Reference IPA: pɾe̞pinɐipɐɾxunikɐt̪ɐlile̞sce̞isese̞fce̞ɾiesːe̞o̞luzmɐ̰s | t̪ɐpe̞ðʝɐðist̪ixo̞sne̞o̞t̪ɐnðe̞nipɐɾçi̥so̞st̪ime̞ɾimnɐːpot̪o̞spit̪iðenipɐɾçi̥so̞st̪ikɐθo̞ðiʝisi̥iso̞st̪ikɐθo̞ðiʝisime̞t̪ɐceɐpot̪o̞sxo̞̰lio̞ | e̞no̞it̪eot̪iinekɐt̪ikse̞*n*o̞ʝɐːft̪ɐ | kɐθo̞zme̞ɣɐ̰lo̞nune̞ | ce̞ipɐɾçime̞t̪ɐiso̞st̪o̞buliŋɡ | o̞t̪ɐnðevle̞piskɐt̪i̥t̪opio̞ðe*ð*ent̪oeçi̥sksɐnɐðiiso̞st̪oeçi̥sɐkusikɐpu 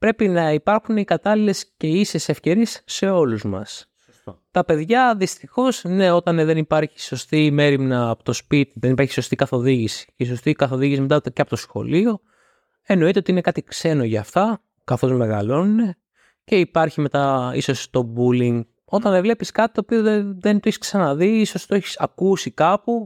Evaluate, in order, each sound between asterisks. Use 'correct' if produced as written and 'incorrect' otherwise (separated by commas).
correct, correct